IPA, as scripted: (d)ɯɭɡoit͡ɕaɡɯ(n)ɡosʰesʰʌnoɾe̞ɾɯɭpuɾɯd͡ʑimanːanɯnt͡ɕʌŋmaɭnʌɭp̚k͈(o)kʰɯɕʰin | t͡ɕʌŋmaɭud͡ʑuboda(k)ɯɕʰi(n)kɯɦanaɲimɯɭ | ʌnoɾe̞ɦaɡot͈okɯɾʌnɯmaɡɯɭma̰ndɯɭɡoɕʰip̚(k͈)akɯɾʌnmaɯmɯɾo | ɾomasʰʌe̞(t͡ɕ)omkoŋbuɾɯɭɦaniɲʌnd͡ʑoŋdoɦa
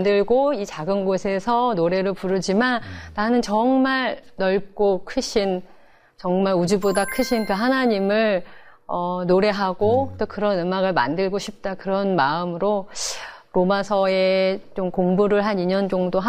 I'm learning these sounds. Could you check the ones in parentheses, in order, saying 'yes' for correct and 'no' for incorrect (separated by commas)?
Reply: yes, yes, yes, no, yes, no, yes